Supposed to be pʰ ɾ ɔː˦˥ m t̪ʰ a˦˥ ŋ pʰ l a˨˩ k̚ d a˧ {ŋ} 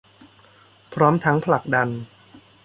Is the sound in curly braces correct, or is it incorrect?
incorrect